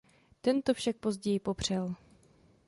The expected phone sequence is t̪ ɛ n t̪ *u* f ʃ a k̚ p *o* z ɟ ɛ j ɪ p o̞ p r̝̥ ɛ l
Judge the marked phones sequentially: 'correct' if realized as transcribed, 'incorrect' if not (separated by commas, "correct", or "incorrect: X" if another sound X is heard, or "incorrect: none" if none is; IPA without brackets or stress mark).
incorrect: o, correct